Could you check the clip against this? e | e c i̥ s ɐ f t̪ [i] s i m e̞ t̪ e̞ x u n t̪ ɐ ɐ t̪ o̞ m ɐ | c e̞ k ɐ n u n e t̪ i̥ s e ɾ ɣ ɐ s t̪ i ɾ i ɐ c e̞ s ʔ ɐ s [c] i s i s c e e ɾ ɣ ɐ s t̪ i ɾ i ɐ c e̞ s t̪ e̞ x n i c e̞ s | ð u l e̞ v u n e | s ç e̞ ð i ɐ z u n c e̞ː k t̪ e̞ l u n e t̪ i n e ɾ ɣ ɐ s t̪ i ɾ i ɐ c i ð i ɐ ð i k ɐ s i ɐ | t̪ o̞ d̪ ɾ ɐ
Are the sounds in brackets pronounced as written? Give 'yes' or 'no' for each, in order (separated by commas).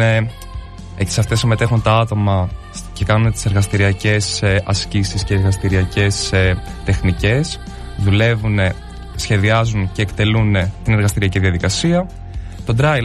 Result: no, yes